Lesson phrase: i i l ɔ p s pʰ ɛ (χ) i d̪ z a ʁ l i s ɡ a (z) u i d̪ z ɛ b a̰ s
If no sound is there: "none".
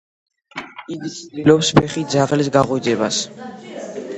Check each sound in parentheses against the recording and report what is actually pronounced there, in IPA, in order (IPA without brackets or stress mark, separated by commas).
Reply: χ, ʁ